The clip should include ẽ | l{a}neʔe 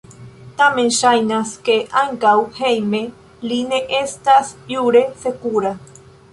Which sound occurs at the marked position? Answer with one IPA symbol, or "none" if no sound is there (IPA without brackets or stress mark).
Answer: i